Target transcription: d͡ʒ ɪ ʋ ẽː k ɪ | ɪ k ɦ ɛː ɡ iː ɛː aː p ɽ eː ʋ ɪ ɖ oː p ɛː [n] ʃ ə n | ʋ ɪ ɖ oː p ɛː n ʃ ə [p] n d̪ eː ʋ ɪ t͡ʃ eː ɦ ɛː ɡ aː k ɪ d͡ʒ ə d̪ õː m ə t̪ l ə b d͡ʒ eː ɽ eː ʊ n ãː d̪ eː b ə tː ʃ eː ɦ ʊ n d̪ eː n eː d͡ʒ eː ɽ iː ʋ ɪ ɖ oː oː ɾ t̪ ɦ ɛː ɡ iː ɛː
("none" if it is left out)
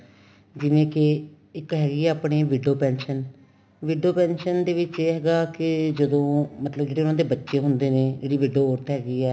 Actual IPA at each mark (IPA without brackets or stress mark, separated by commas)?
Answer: n, none